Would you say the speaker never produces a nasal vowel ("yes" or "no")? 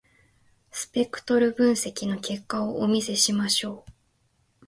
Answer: no